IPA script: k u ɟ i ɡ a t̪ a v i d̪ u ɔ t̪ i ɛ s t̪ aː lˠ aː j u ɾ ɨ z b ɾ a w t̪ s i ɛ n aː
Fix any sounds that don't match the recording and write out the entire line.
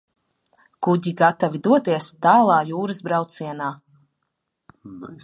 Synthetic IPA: k u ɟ i ɡ a t̪ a v i d̪ u ɔ t̪ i ɛ s t̪ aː lˠ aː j uː ɾ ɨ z b ɾ a w t̪ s i ɛ n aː